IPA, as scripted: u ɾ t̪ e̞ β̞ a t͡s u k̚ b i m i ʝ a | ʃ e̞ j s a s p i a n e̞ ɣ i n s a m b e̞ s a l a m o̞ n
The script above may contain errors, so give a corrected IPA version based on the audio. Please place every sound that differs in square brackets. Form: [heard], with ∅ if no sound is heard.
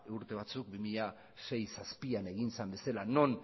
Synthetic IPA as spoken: u ɾ t̪ e̞ β̞ a t͡s u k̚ b i m i [ʎ] a | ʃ e̞ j s a s p i a n e̞ ɣ i n s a m b e̞ s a l a [n] o̞ n

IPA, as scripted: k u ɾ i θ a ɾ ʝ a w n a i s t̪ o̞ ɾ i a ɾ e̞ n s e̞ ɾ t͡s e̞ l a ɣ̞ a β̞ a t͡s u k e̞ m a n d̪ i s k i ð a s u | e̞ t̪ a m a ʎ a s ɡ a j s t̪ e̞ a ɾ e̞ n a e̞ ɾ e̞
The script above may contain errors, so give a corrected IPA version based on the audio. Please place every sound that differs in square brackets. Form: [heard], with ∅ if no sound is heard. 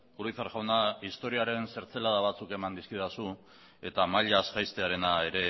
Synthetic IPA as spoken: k u ɾ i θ a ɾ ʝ a w n a i s t̪ o̞ ɾ i a ɾ e̞ n s e̞ ɾ t͡s e̞ l a [ð̞] a β̞ a t͡s u k e̞ m a n d̪ i s k i ð a s u | e̞ t̪ a m a ʎ a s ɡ a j s t̪ e̞ a ɾ e̞ n a e̞ ɾ e̞

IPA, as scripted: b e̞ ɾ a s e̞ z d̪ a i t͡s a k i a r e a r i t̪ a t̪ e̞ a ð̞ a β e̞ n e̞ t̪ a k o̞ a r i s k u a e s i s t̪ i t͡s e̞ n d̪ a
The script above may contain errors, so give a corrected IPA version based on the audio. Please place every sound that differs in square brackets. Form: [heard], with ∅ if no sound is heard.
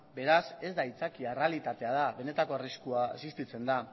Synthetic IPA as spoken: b e̞ ɾ a s e̞ z d̪ a i t͡s a k i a r e a [l] i t̪ a t̪ e̞ a ð̞ a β e̞ n e̞ t̪ a k o̞ a r i s k u a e s i s t̪ i t͡s e̞ n d̪ a

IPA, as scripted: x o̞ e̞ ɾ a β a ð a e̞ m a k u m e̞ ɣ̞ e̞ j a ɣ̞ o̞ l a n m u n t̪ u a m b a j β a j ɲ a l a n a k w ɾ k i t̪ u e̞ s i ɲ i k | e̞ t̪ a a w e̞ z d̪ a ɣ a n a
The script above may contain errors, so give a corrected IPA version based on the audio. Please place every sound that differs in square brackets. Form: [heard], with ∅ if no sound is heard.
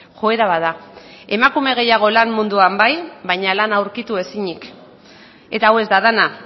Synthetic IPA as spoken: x o̞ e̞ ɾ a β a ð a e̞ m a k u m e̞ ɣ̞ e̞ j a ɣ̞ o̞ l a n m u n [d̪] u a m b a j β a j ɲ a l a n a [∅] w ɾ k i t̪ u e̞ s i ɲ i k | e̞ t̪ a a w e̞ z d̪ a [ð] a n a

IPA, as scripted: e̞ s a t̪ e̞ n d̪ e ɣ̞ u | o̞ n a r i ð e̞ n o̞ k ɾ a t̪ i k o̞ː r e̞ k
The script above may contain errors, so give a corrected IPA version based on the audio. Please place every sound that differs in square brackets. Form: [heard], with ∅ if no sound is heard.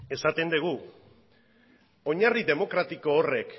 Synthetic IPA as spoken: e̞ s a t̪ e̞ n d̪ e ɣ̞ u | o̞ [ɲ] a r i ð e̞ [m] o̞ k ɾ a t̪ i k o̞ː r e̞ k

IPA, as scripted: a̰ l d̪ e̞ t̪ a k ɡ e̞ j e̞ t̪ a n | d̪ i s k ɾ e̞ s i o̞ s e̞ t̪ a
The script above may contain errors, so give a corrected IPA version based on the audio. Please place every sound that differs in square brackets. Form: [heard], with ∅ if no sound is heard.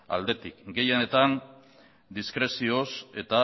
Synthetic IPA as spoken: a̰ l d̪ e̞ t̪ [i] k ɡ e̞ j e̞ t̪ a n | d̪ i s k ɾ e̞ s i o̞ s e̞ t̪ a

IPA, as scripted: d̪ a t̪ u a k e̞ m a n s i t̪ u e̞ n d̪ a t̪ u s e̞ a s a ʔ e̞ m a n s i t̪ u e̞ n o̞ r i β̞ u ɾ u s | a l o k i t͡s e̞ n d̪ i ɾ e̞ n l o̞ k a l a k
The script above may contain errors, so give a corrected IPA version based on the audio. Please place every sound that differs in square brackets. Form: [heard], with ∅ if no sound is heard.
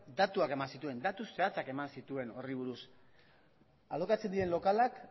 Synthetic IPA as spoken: d̪ a t̪ u a k e̞ m a n s i t̪ u e̞ n d̪ a t̪ u s e̞ a [t͡s] a [k] e̞ m a n s i t̪ u e̞ n o̞ r i β̞ u ɾ u s | a l o k [a] t͡s e̞ n d̪ i ɾ e̞ n l o̞ k a l a k

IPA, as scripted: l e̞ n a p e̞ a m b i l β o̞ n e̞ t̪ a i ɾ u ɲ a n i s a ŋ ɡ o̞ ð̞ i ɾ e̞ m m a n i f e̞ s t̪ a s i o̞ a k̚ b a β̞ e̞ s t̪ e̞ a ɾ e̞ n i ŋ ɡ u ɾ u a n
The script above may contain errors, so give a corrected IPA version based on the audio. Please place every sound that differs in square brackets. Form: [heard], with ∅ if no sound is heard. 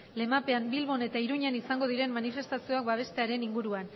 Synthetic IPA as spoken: l e̞ [m] a p e̞ a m b i l β o̞ n e̞ t̪ a i ɾ u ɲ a n i s a ŋ ɡ o̞ ð̞ i ɾ e̞ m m a n i f e̞ s t̪ a s i o̞ a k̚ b a β̞ e̞ s t̪ e̞ a ɾ e̞ n i ŋ ɡ u ɾ u a n

